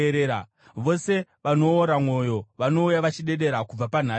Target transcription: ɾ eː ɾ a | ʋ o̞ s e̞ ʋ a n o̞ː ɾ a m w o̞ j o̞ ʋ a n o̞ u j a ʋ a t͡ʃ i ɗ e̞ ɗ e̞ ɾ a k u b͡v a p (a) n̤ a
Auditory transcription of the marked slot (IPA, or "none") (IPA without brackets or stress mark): a